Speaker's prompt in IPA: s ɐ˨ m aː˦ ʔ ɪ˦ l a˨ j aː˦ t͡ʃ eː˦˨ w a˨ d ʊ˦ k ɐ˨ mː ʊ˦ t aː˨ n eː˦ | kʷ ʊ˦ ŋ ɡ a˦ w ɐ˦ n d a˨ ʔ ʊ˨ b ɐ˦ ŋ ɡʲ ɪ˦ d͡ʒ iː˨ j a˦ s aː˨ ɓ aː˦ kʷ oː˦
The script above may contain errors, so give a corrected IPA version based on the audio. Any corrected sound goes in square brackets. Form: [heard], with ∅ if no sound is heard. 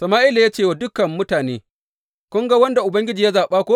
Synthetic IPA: s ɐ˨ m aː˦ ʔ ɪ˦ l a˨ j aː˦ t͡ʃ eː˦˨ w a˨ d ʊ˦ k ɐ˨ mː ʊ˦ t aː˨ n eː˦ | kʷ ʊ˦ ŋ ɡ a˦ w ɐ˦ n d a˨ ʔ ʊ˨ b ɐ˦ ŋ ɡʲ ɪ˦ d͡ʒ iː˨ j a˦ [z] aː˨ ɓ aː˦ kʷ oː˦